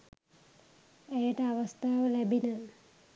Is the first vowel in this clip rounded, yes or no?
no